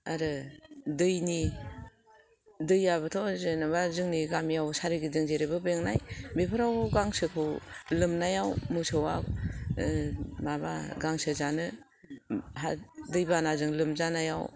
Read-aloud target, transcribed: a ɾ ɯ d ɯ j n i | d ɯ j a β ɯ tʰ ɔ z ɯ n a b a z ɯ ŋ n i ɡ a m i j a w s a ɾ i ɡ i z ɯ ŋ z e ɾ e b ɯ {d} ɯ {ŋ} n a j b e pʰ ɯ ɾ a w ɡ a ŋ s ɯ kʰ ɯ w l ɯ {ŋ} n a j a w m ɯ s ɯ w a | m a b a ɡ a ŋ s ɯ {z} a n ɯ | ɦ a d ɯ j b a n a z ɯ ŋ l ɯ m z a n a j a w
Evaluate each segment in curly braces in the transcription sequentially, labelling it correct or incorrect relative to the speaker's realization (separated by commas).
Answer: incorrect, correct, incorrect, correct